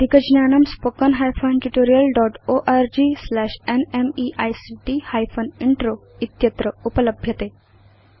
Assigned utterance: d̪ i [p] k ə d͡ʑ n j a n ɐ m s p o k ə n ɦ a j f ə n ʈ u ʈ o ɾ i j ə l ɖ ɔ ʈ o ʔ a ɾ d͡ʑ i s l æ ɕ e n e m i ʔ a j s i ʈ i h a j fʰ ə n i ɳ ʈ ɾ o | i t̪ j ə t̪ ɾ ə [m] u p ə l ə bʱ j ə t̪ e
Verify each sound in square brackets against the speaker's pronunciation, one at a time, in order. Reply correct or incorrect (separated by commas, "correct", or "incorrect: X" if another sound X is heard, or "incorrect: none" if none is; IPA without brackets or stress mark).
incorrect: none, incorrect: none